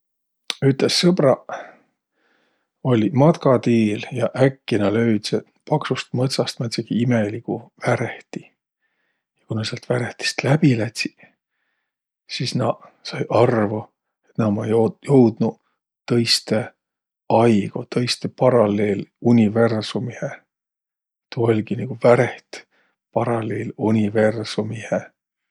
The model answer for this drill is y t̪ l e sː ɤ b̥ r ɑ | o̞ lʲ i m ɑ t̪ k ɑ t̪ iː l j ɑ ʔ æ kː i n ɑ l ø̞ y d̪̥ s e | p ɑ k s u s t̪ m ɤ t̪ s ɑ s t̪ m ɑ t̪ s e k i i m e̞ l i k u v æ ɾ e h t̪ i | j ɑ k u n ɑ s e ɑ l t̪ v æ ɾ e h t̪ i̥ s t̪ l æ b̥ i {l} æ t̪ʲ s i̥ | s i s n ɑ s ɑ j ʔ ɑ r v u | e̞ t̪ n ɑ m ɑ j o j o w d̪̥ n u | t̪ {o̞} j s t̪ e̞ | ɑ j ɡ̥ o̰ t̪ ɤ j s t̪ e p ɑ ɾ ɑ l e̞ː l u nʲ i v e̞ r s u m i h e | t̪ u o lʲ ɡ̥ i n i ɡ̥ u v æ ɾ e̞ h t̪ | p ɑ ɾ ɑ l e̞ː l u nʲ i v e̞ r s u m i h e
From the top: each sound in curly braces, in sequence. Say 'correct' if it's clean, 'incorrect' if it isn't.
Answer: correct, incorrect: ɤ̞

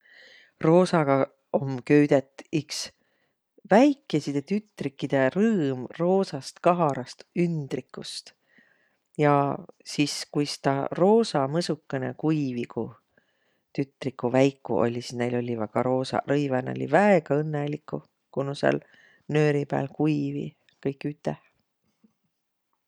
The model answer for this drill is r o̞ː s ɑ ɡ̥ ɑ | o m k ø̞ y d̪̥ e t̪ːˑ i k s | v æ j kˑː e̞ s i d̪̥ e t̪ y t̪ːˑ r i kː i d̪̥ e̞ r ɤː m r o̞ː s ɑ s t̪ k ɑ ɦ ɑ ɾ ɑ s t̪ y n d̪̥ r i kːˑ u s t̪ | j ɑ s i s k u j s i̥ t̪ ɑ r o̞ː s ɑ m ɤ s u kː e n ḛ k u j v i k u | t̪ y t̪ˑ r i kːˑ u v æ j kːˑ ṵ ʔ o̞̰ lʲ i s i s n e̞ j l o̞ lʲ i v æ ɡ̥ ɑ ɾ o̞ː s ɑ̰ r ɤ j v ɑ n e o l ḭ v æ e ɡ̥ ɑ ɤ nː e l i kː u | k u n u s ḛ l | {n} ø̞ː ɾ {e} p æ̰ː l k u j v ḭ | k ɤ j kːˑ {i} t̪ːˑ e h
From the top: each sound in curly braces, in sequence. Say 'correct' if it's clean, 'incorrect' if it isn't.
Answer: correct, incorrect: i, incorrect: y

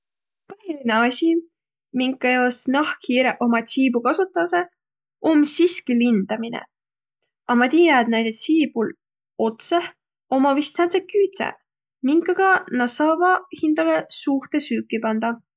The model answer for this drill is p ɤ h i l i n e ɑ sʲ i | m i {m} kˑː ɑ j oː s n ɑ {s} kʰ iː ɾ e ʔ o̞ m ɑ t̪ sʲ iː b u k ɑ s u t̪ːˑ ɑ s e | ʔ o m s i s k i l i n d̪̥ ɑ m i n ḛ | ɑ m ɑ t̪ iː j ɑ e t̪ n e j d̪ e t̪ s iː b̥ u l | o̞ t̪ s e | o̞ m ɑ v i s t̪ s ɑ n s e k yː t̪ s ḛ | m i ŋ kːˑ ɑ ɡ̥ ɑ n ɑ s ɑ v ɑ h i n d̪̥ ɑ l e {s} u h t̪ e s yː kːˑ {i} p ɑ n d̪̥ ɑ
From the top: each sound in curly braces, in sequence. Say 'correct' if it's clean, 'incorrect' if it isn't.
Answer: incorrect: ŋ, incorrect: h, correct, correct

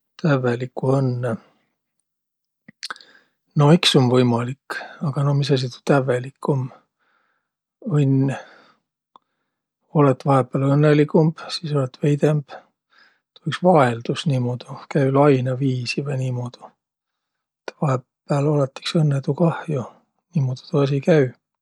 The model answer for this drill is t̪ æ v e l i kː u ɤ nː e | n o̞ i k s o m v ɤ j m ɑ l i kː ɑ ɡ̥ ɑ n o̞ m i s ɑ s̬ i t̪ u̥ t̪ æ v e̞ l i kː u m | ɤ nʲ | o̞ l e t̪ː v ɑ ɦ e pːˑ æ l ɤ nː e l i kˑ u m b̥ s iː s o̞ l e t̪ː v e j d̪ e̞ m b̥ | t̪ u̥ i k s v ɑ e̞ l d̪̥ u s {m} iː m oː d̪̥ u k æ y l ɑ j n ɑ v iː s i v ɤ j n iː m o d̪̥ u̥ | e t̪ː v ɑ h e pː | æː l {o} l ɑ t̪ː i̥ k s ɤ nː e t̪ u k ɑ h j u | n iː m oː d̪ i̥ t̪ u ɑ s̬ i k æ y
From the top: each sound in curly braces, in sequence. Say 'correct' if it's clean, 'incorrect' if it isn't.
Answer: incorrect: n, correct

